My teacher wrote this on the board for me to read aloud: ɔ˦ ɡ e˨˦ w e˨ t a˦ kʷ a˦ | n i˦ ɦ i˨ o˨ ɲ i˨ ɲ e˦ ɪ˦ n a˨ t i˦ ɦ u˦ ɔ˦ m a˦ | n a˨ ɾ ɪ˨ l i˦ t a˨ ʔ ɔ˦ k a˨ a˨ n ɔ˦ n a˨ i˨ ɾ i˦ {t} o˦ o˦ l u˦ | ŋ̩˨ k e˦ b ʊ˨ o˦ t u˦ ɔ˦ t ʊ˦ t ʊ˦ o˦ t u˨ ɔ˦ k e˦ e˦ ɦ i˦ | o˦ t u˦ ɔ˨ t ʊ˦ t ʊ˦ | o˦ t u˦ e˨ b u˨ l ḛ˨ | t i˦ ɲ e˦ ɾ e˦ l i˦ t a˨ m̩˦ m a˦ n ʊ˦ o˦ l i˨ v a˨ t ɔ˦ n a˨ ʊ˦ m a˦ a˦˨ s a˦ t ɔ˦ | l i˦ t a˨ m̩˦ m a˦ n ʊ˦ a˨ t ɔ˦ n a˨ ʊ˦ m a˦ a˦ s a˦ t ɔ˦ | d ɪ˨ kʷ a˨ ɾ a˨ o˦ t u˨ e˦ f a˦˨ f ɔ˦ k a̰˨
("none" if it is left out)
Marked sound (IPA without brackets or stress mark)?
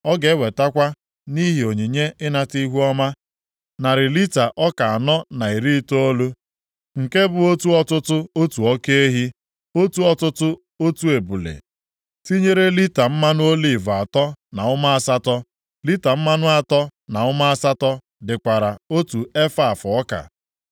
t